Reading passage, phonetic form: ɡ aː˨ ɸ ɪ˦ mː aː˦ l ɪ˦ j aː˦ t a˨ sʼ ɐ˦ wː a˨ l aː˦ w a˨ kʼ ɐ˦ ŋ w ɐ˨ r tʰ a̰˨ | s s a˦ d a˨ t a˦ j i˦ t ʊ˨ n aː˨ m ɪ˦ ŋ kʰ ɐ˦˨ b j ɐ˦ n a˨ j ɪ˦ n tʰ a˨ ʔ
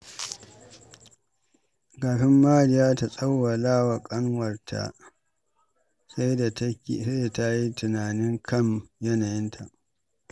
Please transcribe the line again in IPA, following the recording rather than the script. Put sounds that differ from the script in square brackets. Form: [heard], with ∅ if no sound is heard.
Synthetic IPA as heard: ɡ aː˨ ɸ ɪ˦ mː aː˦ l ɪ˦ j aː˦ t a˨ sʼ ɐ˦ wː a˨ l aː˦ w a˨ kʼ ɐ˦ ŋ w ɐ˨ r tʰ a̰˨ | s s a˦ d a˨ t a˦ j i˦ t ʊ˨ n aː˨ [n] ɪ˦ ŋ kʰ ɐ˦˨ [m] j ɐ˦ n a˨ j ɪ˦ n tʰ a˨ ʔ